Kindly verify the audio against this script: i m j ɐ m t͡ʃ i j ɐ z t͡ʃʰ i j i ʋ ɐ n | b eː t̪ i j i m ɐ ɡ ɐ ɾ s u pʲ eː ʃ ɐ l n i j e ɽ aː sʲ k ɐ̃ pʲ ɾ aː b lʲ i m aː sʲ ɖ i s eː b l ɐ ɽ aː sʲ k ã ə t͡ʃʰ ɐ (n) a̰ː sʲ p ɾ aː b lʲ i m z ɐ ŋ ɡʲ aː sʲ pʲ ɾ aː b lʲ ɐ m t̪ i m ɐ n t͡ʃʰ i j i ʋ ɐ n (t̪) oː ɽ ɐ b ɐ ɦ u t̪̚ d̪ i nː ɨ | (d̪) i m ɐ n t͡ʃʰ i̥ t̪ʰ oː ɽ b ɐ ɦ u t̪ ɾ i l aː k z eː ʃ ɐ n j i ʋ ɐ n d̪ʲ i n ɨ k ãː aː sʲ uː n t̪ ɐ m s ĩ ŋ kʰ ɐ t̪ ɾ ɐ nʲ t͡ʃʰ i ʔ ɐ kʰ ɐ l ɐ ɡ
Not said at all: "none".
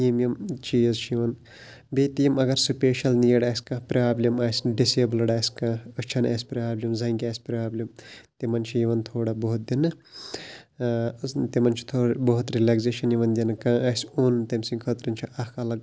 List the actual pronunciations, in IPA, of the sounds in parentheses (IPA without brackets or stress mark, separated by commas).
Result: n, t̪ʰ, t̪